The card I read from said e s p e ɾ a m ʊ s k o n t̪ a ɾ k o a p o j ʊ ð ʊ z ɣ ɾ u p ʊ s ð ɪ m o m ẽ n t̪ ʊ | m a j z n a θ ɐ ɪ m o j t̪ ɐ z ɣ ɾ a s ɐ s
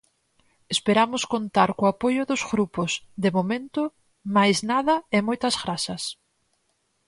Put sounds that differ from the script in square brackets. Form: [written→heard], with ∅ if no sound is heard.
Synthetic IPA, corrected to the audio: e s p e ɾ a m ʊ s k o n t̪ a ɾ k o a p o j ʊ ð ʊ z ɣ ɾ u p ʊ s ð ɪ m o m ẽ n t̪ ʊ | m a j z n a [θ→ð] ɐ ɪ m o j t̪ ɐ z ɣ ɾ a s ɐ s

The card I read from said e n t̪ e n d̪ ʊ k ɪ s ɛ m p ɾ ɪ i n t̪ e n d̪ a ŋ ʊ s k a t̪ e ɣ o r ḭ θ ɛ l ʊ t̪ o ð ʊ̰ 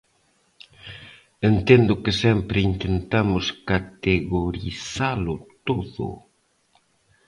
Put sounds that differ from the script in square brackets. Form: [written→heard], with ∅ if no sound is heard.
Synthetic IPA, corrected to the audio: e n t̪ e n d̪ ʊ k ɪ s ɛ m p ɾ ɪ i n t̪ e n [d̪→t̪] a [ŋ→m] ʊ s k a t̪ e ɣ o [r→ɾ] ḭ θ [ɛ→a] l ʊ t̪ o ð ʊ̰

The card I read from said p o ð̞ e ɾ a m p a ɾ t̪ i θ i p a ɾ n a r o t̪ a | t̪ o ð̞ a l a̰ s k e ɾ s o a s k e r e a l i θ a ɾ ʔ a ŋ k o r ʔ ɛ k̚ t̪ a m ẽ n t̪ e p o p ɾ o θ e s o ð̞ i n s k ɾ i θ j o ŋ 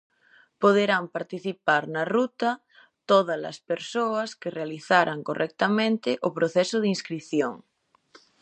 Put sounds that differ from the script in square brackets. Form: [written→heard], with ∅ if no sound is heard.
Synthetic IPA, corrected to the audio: p o ð̞ e ɾ a m p a ɾ t̪ i θ i p a ɾ n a r [o→u] t̪ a | t̪ o ð̞ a l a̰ s [k→p] e ɾ s o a s k e r e a l i θ a ɾ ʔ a ŋ k o r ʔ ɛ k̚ t̪ a m ẽ n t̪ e [p→ʔ] o p ɾ o θ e s o ð̞ i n s k ɾ i θ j o ŋ

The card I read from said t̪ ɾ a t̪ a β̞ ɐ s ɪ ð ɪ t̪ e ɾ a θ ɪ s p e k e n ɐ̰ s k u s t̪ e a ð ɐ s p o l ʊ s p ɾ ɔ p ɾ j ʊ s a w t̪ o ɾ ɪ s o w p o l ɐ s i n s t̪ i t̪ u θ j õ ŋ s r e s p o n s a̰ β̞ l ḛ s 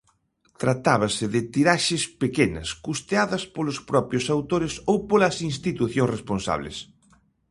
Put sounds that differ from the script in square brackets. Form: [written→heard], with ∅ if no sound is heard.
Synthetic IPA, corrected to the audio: t̪ ɾ a t̪ a β̞ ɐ s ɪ ð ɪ t̪ [e→i] ɾ a [θ→ʃ] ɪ s p e k e n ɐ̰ s k u s t̪ e a ð ɐ s p o l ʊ s p ɾ ɔ p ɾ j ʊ s a w t̪ o ɾ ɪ s o w p o l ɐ s i n s t̪ i t̪ u θ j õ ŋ s r e s p o n s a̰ β̞ l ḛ s

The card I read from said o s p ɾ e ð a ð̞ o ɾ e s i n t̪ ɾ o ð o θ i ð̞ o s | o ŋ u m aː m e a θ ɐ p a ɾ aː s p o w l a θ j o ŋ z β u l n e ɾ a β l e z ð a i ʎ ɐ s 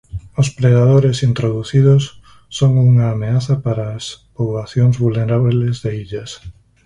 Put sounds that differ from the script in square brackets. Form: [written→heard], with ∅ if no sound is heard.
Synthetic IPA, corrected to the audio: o s p ɾ e ð a ð̞ o ɾ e s i n t̪ ɾ o ð [o→u] θ i ð̞ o [s→sː] | o ŋ u [m→ŋ] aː m e a θ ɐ p a ɾ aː s p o [w→β] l a θ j o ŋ z β u l n e ɾ a β l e z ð [a→e] i ʎ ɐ s

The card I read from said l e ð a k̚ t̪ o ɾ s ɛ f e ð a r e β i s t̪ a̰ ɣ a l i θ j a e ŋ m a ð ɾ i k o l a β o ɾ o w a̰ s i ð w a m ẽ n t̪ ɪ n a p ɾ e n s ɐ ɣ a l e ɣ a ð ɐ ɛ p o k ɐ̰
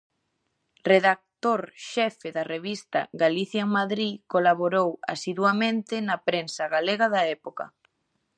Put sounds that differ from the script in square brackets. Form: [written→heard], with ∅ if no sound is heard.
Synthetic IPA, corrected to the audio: [l→r] e ð a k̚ t̪ o ɾ [s→ʃ] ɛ f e ð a r e β i s t̪ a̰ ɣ a l i θ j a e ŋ m a ð ɾ i k o l a β o ɾ o w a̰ s i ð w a m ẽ n t̪ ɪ n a p ɾ e n s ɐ ɣ a l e ɣ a ð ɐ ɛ p o k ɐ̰

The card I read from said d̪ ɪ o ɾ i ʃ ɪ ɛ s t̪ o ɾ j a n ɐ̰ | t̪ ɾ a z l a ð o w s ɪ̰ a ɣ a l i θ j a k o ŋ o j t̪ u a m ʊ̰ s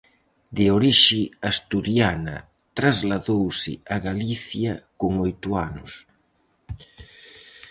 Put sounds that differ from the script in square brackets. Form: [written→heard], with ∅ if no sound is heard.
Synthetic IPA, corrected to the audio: d̪ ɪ o ɾ i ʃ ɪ [ɛ→a] s t̪ [o→u] ɾ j a n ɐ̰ | t̪ ɾ a z l a ð o w s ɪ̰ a ɣ a l i θ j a k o ŋ o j t̪ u a [m→n] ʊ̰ s

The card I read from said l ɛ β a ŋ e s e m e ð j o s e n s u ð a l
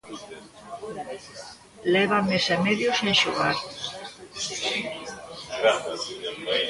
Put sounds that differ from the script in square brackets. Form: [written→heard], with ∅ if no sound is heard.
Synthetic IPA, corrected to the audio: l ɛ β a [ŋ→m] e s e m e ð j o s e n [s→ʃ] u [ð→ɣ] a [l→ɾ]

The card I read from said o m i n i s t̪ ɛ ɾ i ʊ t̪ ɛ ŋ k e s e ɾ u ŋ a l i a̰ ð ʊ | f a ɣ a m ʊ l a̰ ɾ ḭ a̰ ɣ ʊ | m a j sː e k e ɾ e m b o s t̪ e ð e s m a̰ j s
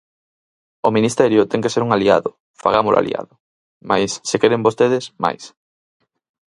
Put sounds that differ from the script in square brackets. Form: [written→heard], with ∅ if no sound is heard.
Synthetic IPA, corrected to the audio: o m i n i s t̪ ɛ ɾ [i→j] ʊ t̪ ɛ ŋ k e s e ɾ u ŋ a l i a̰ ð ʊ | f a ɣ a m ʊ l a̰ [ɾ→l] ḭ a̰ [ɣ→ð] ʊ | m a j sː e k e ɾ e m b o s t̪ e ð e s m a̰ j s

